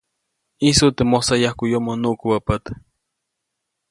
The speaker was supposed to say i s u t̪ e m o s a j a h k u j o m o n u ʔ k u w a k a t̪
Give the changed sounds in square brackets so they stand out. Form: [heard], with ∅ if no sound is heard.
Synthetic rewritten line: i s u t̪ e m o s a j a h k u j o m o n u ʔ k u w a [p] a t̪

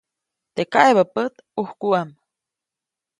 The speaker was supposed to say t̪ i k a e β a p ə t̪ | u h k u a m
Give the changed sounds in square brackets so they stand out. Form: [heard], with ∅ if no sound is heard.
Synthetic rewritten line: t̪ [e] k a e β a p ə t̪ | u h k u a m

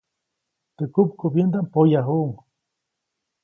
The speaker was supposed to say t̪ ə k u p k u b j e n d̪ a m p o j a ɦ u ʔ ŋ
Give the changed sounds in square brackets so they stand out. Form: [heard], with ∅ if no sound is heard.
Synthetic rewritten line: t̪ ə k u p k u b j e n d̪ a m p o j a ɦ u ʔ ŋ

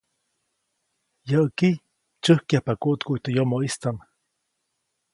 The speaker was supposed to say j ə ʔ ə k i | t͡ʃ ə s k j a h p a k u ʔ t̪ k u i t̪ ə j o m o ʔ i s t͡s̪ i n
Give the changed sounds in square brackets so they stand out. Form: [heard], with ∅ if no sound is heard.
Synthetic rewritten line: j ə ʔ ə k i | t͡ʃ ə [h] k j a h p a k u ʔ t̪ k u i t̪ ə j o m o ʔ i s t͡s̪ [a] n

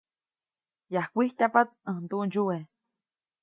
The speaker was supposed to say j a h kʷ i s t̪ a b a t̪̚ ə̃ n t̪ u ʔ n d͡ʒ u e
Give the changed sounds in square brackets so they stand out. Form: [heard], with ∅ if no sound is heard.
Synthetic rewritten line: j a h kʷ i [h] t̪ a [p] a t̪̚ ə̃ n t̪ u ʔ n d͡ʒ u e

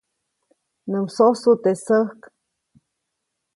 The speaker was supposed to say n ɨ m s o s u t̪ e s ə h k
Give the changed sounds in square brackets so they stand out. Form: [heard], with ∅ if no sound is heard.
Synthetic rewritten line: n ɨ m s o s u t̪ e s ə h k

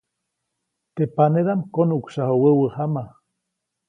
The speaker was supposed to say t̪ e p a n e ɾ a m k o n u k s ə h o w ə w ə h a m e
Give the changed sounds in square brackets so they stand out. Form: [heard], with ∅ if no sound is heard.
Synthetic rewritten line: t̪ e p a n e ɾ a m k o n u k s [a] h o w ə w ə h a m [a]

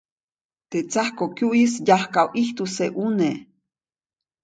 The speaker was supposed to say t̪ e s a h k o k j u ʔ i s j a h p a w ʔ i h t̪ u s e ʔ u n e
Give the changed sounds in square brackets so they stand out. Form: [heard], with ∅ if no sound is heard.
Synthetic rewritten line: t̪ e [t͡s] a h k o k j u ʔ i s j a h [k] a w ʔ i h t̪ u s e ʔ u n e

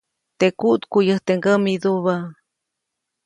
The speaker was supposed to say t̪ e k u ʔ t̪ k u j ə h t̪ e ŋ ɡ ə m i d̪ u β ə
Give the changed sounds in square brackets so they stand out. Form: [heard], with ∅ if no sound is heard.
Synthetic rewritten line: t̪ e k u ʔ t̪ k u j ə h t̪ e ŋ ɡ ə m i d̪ u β [a]

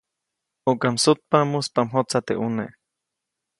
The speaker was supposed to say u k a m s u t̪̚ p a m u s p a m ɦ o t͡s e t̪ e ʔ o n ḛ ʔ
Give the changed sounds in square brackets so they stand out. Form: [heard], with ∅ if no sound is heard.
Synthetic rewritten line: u k a m s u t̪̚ p a m u s p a m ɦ o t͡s [a] t̪ e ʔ [u] n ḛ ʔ

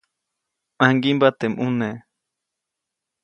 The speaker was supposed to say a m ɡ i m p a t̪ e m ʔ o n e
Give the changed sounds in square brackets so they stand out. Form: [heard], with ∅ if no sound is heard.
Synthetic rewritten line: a [ŋ] ɡ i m [b] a t̪ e m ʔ [u] n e

